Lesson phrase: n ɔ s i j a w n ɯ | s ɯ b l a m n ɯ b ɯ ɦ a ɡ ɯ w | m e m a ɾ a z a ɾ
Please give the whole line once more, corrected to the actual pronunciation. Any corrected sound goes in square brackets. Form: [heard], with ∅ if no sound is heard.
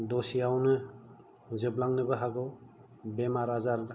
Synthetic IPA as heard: [d] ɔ s i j a w n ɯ | [z] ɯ b l a [ŋ] n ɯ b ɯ ɦ a ɡ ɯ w | [b] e m a ɾ a z a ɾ